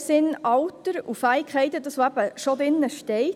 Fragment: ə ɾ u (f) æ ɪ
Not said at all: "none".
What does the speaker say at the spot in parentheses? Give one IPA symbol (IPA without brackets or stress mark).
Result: f